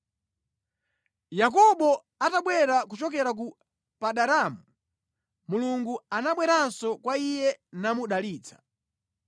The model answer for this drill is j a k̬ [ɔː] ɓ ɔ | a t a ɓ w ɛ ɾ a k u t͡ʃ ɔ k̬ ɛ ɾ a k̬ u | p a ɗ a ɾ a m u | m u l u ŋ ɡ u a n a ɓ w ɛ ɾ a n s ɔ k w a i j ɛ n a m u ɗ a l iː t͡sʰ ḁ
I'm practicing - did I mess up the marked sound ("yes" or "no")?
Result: yes